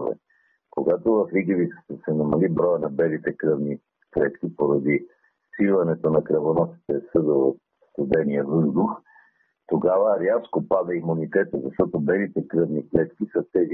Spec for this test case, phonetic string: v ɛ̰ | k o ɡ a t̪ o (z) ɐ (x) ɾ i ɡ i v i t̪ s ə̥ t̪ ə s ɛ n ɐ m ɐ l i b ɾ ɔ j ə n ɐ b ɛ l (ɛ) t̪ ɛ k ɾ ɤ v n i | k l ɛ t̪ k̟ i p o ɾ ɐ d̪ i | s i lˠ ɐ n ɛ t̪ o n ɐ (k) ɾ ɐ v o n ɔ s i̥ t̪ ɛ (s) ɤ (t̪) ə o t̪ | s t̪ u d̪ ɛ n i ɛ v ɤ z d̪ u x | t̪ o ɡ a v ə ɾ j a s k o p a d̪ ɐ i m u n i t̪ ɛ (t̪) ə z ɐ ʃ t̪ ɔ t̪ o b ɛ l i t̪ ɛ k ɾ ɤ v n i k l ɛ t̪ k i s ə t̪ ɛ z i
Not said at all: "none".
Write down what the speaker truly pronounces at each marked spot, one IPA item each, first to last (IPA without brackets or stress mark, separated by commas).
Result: v, f, i, k, s, d̪, t̪